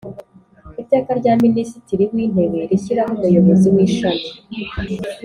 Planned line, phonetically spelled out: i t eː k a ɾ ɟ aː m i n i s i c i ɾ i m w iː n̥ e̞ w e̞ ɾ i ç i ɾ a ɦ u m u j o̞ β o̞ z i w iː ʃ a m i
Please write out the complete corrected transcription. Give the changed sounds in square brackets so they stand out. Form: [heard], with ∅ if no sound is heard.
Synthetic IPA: i t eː k a ɾ ɟ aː m i n i s i [t] i ɾ i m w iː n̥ e̞ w e̞ ɾ i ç i ɾ a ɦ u m u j o̞ β o̞ z i w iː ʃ a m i